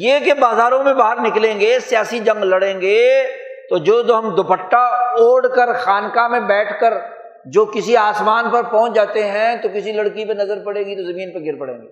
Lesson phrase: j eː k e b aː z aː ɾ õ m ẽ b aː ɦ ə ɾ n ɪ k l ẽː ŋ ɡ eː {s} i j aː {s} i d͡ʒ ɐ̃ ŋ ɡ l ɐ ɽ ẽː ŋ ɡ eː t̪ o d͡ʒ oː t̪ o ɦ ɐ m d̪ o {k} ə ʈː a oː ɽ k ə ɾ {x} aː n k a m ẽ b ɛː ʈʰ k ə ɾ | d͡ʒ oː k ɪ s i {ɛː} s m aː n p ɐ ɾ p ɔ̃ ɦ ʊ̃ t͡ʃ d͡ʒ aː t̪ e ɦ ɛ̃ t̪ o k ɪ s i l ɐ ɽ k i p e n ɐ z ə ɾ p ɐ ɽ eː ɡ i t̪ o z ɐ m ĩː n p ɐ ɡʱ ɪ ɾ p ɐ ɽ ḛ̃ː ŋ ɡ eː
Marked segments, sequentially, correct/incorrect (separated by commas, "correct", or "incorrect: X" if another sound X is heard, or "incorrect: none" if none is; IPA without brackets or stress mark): correct, correct, incorrect: p, correct, incorrect: aː